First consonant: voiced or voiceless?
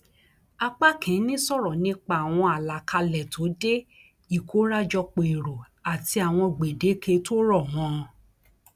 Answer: voiceless